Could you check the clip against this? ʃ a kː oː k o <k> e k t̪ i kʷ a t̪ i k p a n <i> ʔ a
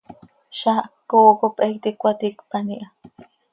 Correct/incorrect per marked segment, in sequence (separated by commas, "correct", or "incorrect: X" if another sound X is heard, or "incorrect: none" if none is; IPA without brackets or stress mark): incorrect: p, correct